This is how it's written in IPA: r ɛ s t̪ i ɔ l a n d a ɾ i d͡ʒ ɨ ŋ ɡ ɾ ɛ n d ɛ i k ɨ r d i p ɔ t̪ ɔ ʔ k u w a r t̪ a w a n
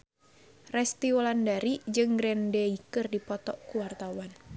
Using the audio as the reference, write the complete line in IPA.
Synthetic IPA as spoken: r ɛ s t̪ i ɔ l a n d a ɾ i d͡ʒ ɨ ŋ ɡ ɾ ɛ n d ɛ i k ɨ r d i p ɔ t̪ ɔ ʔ k u w a r t̪ a w a n